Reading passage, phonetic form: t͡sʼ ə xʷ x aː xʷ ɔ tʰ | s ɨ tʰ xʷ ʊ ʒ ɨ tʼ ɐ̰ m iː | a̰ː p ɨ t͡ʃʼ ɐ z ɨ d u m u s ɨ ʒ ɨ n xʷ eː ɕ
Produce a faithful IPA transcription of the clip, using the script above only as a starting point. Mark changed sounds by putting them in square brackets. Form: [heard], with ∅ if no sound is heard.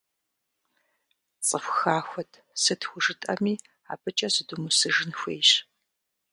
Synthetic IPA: t͡sʼ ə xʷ x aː xʷ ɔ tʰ | s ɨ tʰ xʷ ʊ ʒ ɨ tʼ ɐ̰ m iː | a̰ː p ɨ t͡ʃʼ ɐ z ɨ d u m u s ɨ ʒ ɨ n xʷ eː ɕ

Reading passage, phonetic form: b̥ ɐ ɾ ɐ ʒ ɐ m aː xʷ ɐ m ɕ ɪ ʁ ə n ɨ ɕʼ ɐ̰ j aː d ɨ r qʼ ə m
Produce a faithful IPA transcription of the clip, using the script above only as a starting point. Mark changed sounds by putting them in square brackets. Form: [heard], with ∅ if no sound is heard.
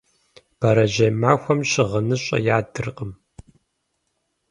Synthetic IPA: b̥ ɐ ɾ ɐ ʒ ɐ m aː xʷ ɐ m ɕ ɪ ʁ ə n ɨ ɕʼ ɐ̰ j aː d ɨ r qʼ ə m

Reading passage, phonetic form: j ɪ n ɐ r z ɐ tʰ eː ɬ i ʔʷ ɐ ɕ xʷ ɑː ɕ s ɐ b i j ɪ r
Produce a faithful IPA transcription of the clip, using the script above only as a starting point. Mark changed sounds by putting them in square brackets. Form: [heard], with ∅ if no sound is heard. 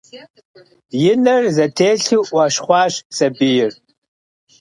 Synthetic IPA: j ɪ n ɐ r z ɐ tʰ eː ɬ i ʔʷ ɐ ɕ [χʷ] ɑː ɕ s ɐ b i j ɪ r

